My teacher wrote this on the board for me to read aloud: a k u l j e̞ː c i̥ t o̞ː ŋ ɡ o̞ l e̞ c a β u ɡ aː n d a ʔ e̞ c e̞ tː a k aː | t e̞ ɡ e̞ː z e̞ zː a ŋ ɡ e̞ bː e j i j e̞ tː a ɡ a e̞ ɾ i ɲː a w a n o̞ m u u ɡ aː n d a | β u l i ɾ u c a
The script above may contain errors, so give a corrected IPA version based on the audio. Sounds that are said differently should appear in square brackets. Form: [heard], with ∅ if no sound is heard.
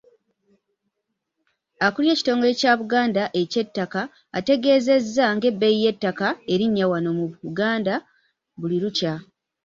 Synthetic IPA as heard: a k u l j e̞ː c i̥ t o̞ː ŋ ɡ o̞ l e̞ c a β u ɡ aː n d a ʔ e̞ c e̞ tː a k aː | t e̞ ɡ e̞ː z e̞ zː a ŋ ɡ e̞ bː e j i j e̞ tː a [k] a e̞ ɾ i ɲː a w a n o̞ m u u ɡ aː n d a | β u l i ɾ u c a